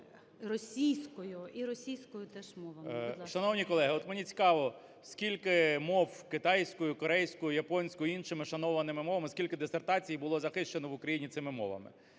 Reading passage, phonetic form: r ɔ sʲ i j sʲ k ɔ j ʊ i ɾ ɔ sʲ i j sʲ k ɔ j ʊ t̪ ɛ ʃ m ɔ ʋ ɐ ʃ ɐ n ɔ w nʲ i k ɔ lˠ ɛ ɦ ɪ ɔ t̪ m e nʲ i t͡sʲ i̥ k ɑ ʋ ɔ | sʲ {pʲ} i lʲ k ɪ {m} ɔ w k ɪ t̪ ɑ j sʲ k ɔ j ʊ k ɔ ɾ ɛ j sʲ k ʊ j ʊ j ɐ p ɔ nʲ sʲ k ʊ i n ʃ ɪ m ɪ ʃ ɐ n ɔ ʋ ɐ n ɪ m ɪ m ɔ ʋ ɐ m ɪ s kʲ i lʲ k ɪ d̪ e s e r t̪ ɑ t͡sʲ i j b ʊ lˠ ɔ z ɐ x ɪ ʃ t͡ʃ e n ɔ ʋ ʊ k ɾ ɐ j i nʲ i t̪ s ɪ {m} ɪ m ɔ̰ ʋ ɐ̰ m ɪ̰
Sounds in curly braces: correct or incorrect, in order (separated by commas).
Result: incorrect, correct, correct